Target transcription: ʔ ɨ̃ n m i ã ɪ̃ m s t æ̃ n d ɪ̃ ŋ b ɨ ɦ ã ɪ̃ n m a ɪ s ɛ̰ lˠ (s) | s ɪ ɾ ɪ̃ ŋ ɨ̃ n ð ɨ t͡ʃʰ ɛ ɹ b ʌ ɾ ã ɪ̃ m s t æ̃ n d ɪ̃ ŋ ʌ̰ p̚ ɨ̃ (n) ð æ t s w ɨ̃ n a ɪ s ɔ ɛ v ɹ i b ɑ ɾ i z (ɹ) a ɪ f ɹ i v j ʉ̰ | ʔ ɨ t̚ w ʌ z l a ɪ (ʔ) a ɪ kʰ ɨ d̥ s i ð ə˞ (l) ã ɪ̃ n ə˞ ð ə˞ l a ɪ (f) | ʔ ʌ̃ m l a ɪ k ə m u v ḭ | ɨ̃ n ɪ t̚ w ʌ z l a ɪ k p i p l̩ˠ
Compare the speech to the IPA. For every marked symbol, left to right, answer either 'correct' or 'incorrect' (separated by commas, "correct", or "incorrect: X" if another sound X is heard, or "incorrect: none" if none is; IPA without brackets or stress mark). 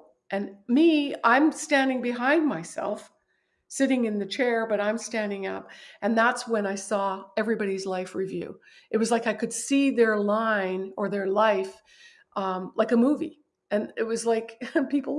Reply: incorrect: f, correct, incorrect: l, incorrect: k, correct, correct